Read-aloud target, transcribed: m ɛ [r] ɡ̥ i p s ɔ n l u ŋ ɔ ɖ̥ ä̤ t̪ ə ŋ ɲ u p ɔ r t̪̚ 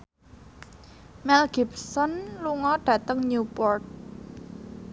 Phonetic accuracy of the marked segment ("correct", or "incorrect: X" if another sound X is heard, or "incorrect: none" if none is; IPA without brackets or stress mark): incorrect: l